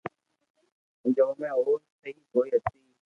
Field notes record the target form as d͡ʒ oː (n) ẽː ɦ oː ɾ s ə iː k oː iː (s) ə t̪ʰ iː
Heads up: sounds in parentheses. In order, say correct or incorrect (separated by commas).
incorrect, incorrect